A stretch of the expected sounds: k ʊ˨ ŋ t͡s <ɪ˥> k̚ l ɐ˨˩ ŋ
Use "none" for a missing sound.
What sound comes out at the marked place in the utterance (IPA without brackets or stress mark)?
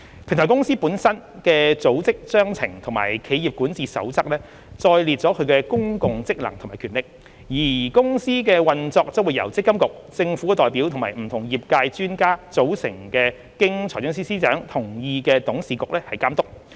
ɪ˥